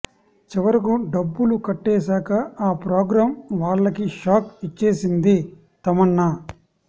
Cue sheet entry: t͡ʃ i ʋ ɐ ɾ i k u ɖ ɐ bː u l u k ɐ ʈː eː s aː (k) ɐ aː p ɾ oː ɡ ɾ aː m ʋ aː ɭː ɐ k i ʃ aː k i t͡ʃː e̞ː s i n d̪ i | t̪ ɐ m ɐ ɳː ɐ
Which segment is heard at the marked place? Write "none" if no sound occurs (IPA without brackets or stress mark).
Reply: k